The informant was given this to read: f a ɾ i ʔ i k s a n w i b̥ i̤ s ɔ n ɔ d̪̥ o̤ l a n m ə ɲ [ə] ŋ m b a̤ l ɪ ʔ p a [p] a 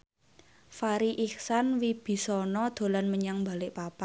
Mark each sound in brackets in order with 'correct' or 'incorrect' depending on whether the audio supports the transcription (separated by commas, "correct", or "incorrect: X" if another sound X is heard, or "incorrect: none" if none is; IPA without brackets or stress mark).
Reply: incorrect: a, correct